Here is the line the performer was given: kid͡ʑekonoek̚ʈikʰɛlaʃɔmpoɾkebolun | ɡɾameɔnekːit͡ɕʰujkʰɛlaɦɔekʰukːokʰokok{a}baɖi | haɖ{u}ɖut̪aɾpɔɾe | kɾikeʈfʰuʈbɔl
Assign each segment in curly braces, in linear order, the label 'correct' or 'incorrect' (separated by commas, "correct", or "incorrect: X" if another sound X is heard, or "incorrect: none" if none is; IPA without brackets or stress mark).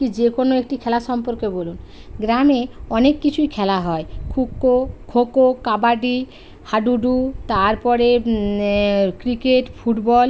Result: correct, correct